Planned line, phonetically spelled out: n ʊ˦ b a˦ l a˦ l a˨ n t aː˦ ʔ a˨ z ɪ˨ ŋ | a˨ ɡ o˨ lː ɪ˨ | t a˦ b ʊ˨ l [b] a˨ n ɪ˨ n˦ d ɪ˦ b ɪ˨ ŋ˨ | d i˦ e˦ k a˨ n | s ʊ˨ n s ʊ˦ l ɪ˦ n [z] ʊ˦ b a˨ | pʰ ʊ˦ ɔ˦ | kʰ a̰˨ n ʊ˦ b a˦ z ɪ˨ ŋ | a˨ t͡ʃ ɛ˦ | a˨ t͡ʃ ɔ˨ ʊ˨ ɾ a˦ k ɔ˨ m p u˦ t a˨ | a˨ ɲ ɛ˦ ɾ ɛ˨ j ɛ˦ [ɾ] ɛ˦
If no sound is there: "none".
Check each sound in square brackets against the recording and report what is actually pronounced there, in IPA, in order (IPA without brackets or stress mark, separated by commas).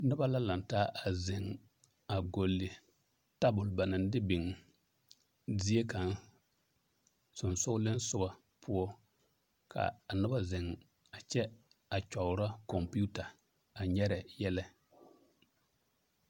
b, s, l